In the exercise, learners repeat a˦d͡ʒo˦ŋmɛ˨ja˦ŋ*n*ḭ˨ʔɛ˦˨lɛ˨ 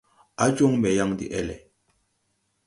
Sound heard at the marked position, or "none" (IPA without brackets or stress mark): d